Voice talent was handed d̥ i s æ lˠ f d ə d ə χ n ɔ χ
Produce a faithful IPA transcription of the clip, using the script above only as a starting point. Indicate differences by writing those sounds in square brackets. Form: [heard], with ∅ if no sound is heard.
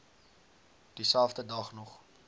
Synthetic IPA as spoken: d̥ i s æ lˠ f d ə d [ɐ] χ n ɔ χ